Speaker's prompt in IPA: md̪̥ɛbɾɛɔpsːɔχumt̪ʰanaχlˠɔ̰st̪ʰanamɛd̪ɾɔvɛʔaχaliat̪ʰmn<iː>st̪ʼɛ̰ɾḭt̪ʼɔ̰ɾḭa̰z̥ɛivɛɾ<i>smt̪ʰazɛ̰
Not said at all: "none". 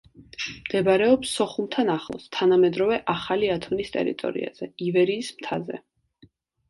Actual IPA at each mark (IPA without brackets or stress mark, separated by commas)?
i, iː